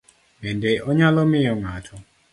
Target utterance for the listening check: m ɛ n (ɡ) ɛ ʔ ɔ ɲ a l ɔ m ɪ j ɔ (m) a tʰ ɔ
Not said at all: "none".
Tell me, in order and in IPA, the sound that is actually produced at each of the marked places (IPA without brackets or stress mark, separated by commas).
d, ŋ